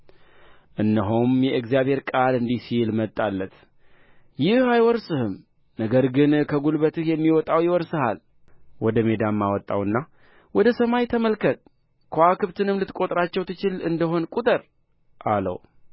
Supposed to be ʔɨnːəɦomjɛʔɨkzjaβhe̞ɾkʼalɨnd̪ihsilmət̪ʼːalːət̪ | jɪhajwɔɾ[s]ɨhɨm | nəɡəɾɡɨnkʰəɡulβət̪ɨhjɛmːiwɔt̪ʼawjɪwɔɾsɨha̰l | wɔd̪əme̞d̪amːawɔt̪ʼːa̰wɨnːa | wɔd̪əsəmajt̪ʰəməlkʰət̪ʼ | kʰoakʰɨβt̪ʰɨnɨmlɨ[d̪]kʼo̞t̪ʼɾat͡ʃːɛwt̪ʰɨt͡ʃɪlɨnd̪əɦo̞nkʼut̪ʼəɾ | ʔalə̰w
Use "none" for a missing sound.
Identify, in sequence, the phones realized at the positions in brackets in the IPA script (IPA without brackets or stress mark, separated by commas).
s, t̪